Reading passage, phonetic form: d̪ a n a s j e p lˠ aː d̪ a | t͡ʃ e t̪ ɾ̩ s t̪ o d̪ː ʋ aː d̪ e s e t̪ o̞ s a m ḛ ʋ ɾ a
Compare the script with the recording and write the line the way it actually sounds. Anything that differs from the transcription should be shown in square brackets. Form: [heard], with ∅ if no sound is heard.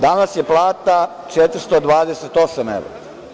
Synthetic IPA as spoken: d̪ a n a s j e p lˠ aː [t̪] a | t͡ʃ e t̪ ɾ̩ s t̪ o [d̪] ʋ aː d̪ e s e t̪ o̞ s a m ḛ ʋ ɾ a